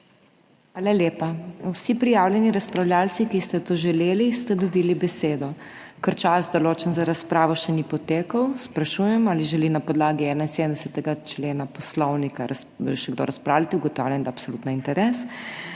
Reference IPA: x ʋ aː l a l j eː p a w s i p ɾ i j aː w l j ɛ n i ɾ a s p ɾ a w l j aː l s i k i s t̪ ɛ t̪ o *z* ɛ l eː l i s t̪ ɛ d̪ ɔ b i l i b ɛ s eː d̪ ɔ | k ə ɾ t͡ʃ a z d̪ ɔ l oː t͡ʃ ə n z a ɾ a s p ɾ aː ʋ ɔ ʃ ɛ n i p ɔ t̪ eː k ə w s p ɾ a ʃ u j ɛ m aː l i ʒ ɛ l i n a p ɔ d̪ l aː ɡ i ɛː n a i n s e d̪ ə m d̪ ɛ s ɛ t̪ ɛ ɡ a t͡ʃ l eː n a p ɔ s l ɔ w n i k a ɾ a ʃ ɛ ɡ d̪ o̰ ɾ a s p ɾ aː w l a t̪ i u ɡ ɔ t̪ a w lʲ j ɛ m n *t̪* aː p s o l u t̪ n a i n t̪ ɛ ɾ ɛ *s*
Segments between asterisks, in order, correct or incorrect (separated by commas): incorrect, incorrect, correct